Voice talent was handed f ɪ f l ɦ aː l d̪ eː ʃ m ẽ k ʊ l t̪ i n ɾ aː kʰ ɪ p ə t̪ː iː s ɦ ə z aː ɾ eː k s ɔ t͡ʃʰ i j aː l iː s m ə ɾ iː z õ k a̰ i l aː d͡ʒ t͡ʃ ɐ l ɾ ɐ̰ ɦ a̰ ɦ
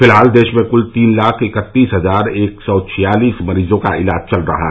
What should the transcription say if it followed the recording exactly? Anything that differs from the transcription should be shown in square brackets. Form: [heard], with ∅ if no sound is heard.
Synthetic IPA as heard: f ɪ [∅] l ɦ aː l d̪ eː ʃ m ẽ k ʊ l t̪ [iː] n [l] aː kʰ ɪ [k] ə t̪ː iː s ɦ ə z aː ɾ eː k s ɔ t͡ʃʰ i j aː l iː s m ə ɾ iː z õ k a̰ [ɪ] l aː d͡ʒ t͡ʃ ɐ l ɾ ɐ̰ ɦ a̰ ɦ